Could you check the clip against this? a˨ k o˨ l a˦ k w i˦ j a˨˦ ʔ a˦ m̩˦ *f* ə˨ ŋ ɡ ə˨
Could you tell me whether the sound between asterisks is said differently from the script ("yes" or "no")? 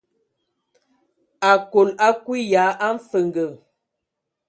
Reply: no